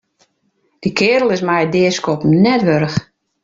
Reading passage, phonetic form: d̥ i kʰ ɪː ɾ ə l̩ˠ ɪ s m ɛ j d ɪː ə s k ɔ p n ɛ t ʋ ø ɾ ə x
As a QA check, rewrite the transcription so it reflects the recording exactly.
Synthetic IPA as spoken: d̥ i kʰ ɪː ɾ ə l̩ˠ ɪ s m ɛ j d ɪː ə s k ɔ p n ɛ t ʋ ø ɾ ə x